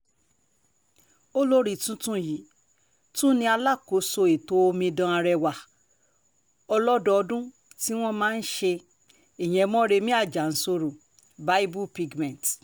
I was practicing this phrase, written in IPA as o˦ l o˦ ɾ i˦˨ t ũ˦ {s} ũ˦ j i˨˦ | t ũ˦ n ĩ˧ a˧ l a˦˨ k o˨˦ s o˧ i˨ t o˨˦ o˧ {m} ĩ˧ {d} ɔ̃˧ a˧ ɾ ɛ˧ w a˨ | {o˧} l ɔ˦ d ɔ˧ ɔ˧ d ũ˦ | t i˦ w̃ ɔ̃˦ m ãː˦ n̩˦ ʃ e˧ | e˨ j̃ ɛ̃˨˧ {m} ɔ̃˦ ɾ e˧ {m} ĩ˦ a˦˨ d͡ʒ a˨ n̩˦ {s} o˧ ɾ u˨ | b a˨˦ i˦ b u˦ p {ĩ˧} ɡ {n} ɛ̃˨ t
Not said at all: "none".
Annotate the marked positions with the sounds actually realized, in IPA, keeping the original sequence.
t, m, d, ɔ˧, m, m, s, i˧, m

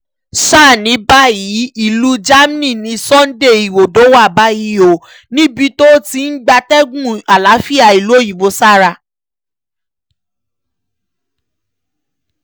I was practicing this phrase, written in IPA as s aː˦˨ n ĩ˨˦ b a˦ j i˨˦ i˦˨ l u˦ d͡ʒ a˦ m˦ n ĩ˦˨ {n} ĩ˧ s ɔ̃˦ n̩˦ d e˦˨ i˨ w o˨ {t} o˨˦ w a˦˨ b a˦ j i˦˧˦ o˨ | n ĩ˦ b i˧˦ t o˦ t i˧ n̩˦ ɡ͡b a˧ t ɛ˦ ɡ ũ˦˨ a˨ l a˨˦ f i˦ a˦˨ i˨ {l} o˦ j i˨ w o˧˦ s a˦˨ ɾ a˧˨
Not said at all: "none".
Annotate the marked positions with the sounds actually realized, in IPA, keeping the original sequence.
n, d, l

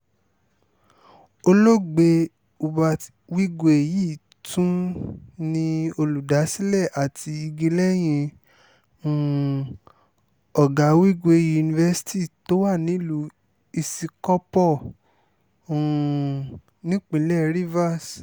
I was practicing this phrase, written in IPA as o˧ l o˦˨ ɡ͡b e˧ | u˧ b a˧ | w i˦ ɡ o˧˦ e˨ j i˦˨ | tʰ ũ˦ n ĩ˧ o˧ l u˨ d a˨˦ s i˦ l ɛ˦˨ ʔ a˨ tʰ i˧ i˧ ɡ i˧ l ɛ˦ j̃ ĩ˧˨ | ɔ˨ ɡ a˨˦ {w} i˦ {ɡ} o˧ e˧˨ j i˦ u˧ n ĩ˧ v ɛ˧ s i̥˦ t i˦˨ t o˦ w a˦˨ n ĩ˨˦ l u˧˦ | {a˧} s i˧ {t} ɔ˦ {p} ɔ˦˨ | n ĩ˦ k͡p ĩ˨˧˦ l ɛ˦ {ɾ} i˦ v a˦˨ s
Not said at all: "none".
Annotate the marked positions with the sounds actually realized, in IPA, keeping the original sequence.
w, ɡ, i˧, k, p, ɾ

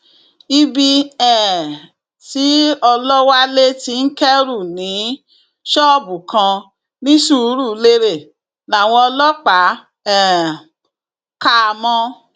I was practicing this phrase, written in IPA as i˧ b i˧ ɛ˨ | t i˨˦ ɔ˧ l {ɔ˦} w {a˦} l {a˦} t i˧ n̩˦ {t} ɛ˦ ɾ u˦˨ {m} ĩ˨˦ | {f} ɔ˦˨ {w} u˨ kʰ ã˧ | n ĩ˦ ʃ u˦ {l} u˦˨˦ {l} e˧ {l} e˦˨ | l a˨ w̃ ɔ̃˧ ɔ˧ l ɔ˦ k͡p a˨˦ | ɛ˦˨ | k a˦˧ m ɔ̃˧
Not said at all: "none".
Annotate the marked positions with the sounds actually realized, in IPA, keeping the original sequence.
ɔ˦, a˦, e˦, k, n, ʃ, b, ɾ, l, ɾ

